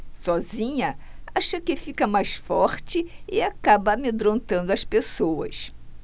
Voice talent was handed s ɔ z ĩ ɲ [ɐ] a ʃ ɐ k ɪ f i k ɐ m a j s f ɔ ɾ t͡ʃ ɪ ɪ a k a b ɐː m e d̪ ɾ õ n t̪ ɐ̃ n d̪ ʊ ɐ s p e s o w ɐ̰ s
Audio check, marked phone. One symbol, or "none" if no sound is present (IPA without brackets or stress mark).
ɐ